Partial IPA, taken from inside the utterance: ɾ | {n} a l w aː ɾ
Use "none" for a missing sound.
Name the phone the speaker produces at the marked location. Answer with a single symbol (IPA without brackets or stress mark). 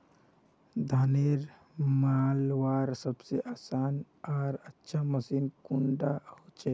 m